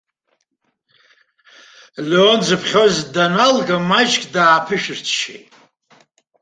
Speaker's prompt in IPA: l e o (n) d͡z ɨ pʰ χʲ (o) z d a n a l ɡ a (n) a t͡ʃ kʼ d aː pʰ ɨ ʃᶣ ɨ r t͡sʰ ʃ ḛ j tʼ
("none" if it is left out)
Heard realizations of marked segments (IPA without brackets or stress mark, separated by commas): n, o, m